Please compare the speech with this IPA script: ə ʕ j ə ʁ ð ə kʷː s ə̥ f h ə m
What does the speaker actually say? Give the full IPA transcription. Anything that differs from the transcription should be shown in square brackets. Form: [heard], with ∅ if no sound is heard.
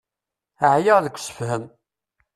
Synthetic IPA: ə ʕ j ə ʁ ð ə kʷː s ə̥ f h ə m